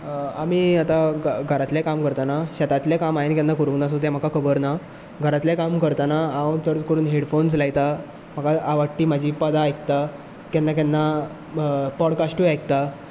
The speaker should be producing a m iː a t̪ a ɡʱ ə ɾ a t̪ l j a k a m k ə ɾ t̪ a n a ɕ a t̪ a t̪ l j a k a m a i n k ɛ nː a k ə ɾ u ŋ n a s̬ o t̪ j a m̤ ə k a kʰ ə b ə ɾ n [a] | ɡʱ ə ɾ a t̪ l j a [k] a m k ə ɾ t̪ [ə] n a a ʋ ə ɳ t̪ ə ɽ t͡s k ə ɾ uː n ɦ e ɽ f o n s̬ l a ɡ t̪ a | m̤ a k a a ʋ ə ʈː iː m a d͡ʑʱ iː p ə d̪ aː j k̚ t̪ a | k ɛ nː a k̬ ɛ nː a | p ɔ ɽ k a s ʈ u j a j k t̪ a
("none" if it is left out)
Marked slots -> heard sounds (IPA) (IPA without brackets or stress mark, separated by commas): a, k, a